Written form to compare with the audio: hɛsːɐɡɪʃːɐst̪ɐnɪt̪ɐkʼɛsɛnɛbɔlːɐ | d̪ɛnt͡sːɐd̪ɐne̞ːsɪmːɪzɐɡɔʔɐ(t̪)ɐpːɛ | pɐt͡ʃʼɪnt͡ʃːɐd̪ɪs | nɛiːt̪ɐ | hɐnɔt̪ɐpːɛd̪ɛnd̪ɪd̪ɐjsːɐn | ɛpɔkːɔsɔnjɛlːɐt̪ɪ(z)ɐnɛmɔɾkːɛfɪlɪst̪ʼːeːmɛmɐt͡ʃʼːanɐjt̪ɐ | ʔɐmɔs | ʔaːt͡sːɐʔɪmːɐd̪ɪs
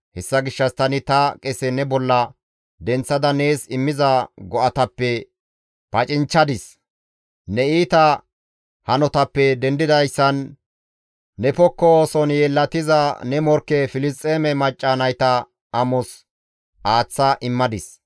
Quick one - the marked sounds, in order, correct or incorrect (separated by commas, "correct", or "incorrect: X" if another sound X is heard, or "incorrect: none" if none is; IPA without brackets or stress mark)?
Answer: correct, correct